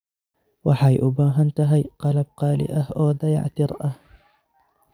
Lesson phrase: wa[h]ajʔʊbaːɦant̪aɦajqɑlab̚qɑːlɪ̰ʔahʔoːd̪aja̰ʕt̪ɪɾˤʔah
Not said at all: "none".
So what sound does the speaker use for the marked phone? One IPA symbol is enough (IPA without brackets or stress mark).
ħ